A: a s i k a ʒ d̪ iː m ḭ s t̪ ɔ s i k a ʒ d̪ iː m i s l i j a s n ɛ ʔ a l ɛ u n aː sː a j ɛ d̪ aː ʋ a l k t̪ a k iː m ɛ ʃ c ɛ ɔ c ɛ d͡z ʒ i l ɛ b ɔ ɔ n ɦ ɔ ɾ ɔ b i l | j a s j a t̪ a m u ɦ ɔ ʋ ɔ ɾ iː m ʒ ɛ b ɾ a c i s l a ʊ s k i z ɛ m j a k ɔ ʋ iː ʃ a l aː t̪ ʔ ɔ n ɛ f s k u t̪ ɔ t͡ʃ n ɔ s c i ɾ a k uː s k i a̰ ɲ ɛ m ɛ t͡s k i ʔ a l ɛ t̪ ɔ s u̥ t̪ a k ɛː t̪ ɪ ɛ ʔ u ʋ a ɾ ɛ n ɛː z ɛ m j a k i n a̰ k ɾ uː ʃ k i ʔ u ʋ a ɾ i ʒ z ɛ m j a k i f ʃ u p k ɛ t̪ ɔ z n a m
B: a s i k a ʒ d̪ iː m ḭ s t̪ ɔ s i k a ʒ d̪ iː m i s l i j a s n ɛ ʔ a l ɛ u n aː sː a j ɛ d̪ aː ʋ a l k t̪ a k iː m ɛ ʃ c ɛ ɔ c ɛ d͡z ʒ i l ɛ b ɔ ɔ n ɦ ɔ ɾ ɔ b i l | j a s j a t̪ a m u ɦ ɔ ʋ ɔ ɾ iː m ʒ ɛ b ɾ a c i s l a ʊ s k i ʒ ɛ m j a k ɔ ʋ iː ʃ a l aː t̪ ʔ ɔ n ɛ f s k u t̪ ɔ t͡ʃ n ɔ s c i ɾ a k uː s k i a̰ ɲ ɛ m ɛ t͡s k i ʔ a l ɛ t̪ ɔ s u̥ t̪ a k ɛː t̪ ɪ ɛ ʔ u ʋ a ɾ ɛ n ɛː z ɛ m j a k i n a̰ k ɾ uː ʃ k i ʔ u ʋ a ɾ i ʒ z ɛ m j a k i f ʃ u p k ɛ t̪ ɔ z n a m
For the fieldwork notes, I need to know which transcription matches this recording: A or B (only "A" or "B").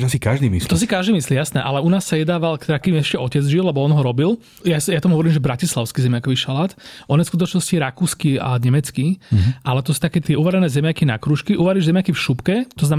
A